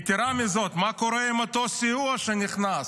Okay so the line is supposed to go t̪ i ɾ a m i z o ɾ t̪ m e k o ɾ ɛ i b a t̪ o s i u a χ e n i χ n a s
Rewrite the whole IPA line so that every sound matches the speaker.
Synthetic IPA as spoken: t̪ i ɾ a m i z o t̪ m a k o ɾ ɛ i m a t̪ o s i u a ʃ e n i χ n a s

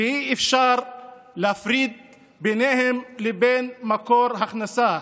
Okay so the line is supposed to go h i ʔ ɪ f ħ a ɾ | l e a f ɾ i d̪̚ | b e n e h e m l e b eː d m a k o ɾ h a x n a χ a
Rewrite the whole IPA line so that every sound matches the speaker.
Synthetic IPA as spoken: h i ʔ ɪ f ʃ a ɾ | l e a f ɾ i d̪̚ | b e n e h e m l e b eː n m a k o ɾ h a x n a s a

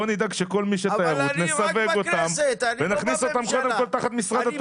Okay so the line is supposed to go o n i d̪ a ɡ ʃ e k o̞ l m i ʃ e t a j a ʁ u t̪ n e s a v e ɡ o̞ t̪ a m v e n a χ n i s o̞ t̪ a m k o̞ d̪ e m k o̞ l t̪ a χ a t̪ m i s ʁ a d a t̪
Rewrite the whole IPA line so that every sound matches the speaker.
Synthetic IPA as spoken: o n i d̪ a ɡ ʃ e k o̞ l m i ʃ e t a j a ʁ u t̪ n e s a v e ɡ o̞ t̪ a m v e n a χ n i s o̞ t̪ a m k o̞ d̪ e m k o̞ l t̪ a χ a t̪ m i s ʁ a d a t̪

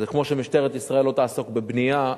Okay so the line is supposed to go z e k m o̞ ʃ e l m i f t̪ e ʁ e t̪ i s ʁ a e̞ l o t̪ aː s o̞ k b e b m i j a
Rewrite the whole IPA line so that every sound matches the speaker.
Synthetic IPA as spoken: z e k m o̞ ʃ e m i ʃ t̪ e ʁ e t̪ i s ʁ a e̞ l o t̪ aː s o̞ k b e b n i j a

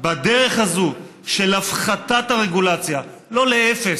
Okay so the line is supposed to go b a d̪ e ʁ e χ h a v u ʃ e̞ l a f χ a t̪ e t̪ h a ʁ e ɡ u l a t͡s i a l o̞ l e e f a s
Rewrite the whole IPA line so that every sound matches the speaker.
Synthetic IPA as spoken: b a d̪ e ʁ e χ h a z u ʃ e̞ l a f χ a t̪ a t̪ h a ʁ e ɡ u l a t͡s j a l o̞ l e e f e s

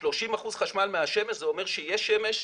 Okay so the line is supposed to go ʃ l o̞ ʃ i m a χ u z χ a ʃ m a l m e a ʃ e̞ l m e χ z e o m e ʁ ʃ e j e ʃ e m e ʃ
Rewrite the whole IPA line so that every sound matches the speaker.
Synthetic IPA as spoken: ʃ l o̞ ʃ i m a χ u z χ a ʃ m a l m e a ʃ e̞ m e ʃ z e o m e ʁ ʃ e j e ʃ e m e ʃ

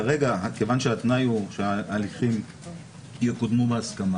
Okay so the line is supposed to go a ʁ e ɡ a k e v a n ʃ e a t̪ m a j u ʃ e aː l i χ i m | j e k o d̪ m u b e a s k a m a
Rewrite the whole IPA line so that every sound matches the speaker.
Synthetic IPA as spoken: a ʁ e ɡ a k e v a n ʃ e a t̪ n a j u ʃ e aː l i χ i m | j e k o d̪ m u b e a s k a m a

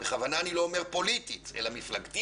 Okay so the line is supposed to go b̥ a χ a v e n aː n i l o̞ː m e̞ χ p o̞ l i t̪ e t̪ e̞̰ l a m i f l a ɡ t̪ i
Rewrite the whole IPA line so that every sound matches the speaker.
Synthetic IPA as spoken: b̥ e χ a v a n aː n i l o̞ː m e̞ ʁ p o̞ l i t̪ i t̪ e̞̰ l a m i f l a ɡ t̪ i

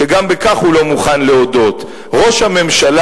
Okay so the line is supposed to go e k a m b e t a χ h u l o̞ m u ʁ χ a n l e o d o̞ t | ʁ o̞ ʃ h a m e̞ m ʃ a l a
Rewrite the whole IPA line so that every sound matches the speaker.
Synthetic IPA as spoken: e ɡ a m b e k a χ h u l o̞ m u χ a n l e o d o̞ t | ʁ o̞ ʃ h a m e̞ m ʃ a l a

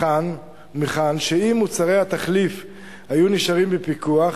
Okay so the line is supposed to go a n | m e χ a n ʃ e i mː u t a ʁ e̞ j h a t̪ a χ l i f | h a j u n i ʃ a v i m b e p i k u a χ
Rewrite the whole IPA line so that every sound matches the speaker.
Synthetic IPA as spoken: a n | m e χ a n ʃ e i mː u t͡s a ʁ e̞ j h a t̪ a χ l i f | h a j u n i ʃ a ʁ i m b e p i k u a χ

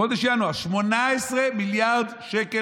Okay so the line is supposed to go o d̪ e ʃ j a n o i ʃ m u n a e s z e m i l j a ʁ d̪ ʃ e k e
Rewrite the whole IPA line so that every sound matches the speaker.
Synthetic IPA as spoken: o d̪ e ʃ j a n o a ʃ m o n a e s ʁ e m i l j a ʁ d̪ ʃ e k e

